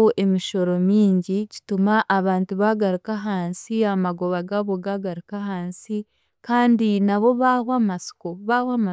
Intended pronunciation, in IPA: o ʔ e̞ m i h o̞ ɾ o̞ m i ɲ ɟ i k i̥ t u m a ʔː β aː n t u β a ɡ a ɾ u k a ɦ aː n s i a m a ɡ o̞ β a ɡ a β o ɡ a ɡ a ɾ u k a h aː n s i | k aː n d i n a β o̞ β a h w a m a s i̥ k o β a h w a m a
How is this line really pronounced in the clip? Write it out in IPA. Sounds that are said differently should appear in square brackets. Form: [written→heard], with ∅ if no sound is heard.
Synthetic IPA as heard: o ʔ e̞ m i [h→ʃ] o̞ ɾ o̞ m [i→iː] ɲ ɟ i [k→c] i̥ t u m a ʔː β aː n t u β a ɡ a ɾ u k a ɦ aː n s i a m a ɡ o̞ β a ɡ a β o ɡ a ɡ a ɾ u k a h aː n s i | k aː n d i n a β o̞ β a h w a m a s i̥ k o β a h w a m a